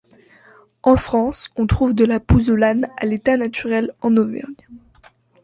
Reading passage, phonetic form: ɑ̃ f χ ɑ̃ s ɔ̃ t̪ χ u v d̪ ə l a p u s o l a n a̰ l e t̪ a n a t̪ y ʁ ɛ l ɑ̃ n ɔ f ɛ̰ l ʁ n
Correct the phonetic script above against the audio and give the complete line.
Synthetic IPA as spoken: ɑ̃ f χ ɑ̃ s ɔ̃ t̪ χ u v d̪ ə l a p u z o l a n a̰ l e t̪ a n a t̪ y ʁ ɛ l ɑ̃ n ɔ v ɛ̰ ʁ n